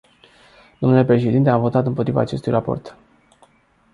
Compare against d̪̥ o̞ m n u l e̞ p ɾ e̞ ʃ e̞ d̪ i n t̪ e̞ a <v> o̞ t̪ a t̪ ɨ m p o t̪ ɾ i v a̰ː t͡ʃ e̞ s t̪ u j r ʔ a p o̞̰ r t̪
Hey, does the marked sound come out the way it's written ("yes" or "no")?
yes